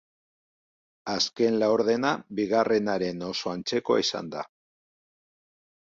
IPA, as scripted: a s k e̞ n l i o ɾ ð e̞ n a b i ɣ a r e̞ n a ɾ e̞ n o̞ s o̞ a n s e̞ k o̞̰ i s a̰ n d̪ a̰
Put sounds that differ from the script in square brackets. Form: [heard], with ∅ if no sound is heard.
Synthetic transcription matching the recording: a s k e̞ n l [a] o ɾ ð e̞ n a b i ɣ a r e̞ n a ɾ e̞ n o̞ s o̞ a n [t͡s] e̞ k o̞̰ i s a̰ n d̪ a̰